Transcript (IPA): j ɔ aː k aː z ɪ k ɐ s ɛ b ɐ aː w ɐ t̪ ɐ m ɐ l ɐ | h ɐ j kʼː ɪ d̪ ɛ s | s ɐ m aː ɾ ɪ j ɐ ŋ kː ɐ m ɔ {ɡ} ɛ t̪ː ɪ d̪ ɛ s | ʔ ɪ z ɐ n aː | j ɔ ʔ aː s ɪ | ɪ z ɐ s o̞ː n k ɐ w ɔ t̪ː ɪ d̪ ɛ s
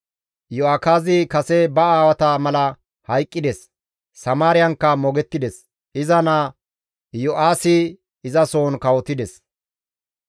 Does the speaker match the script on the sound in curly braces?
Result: yes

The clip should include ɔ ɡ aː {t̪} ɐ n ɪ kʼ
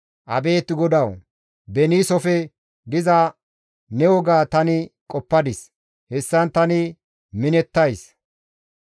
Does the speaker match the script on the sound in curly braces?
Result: yes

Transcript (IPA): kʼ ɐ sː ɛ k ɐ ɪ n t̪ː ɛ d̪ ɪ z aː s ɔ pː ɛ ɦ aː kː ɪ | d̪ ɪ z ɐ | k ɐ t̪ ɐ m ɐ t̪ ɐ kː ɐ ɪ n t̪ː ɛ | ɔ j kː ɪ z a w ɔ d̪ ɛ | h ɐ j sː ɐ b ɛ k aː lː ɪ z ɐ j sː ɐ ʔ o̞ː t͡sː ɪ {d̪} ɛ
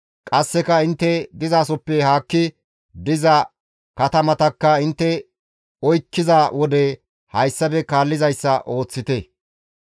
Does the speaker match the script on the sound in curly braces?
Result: no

